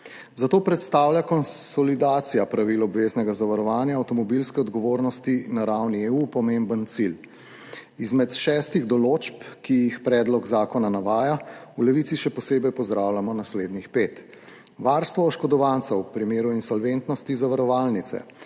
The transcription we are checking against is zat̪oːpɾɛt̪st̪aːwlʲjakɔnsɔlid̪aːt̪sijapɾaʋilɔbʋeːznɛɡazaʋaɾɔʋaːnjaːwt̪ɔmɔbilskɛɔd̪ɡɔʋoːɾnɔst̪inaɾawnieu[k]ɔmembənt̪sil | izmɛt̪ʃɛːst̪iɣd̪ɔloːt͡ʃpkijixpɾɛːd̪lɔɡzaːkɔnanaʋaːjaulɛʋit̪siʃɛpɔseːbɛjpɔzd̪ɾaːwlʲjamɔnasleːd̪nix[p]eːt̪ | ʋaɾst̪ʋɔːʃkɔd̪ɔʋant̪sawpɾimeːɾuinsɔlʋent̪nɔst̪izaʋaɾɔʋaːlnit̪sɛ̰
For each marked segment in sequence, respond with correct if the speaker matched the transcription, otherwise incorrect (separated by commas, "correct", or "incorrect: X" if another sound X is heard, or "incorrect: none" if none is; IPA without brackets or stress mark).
incorrect: p, correct